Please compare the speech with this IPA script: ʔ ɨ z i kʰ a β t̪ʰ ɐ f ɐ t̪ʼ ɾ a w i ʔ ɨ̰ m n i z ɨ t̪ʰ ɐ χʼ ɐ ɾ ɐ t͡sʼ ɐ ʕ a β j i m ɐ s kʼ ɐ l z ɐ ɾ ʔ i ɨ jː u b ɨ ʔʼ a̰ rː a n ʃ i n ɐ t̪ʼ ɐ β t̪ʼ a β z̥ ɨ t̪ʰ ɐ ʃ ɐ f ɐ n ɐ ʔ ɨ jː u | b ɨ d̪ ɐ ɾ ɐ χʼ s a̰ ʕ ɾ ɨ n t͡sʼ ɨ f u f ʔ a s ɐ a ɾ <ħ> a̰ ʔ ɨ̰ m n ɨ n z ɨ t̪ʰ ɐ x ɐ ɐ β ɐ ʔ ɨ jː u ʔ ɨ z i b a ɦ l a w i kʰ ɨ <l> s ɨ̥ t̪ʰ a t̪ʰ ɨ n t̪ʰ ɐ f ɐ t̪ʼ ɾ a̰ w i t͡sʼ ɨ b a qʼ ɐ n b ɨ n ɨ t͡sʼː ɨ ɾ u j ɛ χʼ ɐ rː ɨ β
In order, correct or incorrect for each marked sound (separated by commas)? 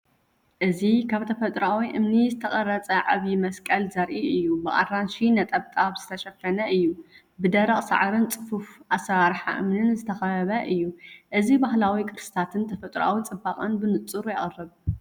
correct, incorrect